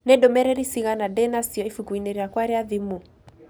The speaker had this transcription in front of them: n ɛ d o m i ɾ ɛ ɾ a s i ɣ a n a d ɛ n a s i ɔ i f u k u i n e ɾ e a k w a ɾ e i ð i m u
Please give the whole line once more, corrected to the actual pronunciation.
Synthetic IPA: n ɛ d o m ɛ ɾ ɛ ɾ i s i ɣ a n a d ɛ n a s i ɔ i f u k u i n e ɾ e a k w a ɾ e a ð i m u